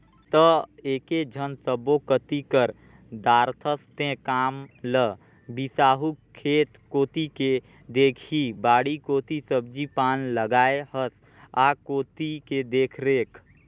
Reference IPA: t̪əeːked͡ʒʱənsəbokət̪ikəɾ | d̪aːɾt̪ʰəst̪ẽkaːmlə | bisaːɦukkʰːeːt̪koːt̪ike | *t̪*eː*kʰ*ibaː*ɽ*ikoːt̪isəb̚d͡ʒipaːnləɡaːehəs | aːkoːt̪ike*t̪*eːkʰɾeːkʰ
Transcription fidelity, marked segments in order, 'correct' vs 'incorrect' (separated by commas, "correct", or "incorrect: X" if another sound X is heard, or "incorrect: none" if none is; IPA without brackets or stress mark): incorrect: d̪, correct, correct, incorrect: d̪